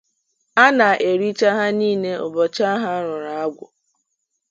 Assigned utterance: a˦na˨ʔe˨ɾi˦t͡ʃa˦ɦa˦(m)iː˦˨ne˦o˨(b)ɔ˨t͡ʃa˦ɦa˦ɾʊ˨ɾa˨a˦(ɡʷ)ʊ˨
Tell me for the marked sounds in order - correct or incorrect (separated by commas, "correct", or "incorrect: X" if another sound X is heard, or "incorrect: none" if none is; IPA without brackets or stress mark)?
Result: incorrect: n, correct, correct